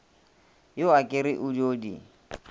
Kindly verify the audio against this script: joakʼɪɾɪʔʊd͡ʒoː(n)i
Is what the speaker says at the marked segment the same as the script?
no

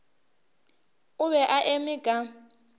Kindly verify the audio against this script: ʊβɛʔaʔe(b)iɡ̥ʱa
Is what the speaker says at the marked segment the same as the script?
no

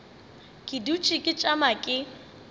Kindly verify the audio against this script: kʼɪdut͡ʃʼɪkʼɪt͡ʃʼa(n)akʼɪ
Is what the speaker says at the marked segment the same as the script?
no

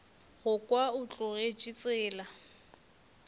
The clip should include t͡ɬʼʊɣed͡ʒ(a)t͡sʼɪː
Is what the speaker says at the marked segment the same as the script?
no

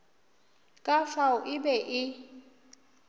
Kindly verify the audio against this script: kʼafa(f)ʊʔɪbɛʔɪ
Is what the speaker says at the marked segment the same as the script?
no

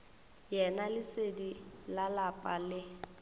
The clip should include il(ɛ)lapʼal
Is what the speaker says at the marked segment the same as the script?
no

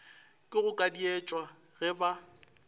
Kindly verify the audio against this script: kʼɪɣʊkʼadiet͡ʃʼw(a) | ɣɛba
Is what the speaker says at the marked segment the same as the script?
yes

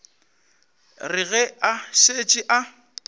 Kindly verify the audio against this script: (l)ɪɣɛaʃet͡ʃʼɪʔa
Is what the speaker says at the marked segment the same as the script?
no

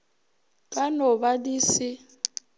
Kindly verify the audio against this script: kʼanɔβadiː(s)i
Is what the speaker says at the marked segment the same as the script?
yes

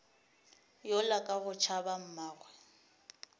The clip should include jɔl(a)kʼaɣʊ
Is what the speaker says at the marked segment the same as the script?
yes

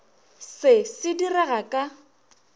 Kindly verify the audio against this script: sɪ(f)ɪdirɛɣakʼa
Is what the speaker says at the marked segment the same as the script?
no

